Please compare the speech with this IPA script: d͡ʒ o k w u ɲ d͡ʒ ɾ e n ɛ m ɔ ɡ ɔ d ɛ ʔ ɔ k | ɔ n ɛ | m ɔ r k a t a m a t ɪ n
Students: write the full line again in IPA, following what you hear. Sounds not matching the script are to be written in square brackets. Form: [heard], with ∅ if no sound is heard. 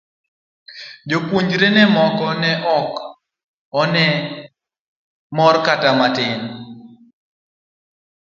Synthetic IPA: d͡ʒ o k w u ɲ d͡ʒ ɾ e n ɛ m ɔ [k] ɔ [n] ɛ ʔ ɔ k | ɔ n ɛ | m ɔ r k a t a m a t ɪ n